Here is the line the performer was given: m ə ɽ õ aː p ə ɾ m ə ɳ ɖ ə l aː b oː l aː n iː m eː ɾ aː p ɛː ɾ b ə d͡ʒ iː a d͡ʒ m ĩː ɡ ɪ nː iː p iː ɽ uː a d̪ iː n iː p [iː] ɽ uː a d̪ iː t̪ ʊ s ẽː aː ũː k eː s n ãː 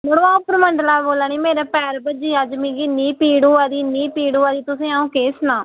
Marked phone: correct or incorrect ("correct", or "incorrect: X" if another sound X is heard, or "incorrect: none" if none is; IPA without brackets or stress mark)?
correct